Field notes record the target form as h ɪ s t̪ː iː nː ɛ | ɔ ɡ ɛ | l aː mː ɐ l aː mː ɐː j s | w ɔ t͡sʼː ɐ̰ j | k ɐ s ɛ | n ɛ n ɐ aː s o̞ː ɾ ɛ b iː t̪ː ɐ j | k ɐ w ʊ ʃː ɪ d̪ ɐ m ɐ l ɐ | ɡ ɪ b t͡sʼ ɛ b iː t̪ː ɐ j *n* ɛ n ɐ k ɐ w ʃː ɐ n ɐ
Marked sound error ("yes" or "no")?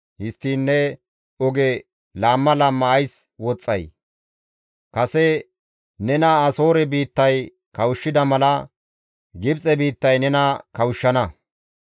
no